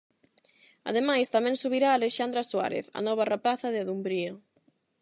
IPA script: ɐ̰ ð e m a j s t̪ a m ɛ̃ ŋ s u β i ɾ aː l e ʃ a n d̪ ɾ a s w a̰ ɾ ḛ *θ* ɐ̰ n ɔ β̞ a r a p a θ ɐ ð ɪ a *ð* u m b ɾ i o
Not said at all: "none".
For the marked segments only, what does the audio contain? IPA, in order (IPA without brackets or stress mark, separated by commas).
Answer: θ, ð